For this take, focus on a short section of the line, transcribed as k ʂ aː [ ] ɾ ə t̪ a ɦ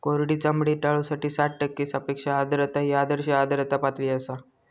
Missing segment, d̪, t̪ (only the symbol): d̪